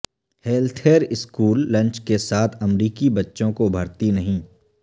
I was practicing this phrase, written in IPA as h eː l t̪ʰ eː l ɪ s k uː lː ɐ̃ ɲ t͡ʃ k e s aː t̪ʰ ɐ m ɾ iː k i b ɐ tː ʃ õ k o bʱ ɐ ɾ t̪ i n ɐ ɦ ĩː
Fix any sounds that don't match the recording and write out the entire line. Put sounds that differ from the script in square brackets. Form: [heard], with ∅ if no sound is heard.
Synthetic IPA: h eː l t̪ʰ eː [ɾ] ɪ s k uː lː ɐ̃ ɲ t͡ʃ k e s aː t̪ʰ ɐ m ɾ iː k i b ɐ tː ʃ õ k o bʱ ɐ ɾ t̪ i n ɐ ɦ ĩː